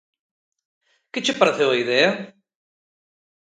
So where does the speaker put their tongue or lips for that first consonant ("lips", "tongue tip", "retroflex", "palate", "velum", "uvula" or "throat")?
velum